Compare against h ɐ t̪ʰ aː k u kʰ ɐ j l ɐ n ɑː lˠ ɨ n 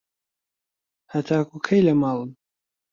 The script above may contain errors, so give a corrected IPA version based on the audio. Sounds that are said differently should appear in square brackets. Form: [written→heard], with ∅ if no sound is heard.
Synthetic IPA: h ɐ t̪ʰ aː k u kʰ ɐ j l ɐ [n→m] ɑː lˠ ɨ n